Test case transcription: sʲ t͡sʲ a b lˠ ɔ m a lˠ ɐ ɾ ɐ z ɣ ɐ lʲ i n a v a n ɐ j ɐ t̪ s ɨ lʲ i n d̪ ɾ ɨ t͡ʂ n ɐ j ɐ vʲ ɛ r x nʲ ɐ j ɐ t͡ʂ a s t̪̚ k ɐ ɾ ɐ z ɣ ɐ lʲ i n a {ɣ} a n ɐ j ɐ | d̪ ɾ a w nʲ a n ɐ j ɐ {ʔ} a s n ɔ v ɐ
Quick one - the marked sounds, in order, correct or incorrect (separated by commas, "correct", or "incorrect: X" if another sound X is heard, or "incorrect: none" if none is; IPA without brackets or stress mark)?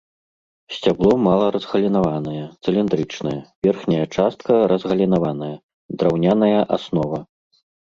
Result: incorrect: v, correct